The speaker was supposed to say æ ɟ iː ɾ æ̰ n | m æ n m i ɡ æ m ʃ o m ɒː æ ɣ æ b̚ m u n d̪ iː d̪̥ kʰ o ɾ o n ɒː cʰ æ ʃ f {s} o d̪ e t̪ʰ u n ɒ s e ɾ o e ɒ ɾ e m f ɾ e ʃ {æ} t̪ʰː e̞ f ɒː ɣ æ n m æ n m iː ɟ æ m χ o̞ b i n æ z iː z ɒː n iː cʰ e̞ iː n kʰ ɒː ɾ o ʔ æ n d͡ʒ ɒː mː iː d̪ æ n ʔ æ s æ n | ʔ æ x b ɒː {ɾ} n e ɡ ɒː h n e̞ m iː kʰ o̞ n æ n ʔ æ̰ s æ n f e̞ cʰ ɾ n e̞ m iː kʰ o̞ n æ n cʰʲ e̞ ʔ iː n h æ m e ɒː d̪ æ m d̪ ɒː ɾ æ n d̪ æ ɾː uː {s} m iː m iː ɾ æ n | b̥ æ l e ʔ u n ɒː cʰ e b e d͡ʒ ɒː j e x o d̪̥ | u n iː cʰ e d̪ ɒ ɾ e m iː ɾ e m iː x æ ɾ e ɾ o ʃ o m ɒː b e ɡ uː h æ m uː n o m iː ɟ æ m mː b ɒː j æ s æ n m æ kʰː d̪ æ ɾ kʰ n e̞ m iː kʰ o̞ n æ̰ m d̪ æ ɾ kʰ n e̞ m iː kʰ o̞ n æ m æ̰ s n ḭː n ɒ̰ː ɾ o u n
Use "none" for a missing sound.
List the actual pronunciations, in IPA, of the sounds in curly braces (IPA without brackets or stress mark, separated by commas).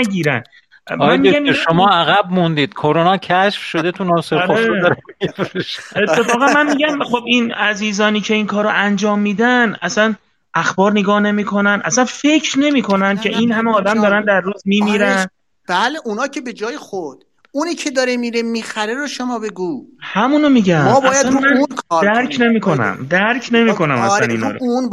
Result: ʃ, e, ɾ, z